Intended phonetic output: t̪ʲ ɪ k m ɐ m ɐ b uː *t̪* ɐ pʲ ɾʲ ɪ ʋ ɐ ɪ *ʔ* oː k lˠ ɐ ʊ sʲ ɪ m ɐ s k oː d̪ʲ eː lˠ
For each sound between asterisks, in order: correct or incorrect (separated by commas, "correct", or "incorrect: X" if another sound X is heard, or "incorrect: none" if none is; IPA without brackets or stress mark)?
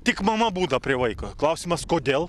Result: incorrect: d̪, incorrect: k